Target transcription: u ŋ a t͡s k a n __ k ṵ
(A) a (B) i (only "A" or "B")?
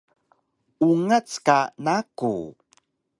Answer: A